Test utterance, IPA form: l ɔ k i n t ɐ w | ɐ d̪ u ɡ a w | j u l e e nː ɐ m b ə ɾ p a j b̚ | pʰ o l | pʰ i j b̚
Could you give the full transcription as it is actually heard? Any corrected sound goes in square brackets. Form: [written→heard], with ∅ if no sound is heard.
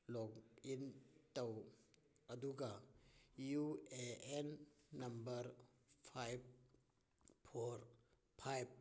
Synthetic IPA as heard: l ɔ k i n t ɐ w | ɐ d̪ u ɡ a [w→∅] | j u [l→∅] e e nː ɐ m b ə ɾ [p→pʰ] a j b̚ | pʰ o [l→ɾ] | pʰ [i→a] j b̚

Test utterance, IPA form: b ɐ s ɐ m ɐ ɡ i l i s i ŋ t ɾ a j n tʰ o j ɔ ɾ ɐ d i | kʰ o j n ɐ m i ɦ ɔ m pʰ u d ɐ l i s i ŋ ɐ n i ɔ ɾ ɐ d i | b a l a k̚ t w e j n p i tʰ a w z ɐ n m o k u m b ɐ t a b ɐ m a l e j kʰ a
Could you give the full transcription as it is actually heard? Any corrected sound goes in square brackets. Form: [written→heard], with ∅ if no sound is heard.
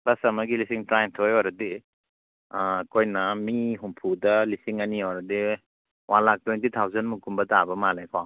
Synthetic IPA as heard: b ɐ s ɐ m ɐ ɡ i l i s i ŋ t ɾ a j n tʰ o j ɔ ɾ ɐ d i | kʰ o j n ɐ m i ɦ [ɔ→u] m pʰ u d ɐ l i s i ŋ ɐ n i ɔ ɾ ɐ d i | [b→w] a l a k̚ t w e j n [p→t] i tʰ a w z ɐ n m [o→u] k u m b ɐ t a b ɐ m a l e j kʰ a

